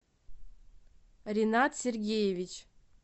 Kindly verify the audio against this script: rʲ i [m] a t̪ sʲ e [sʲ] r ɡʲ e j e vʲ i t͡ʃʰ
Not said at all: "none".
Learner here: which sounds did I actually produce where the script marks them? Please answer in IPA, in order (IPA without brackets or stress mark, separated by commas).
n, none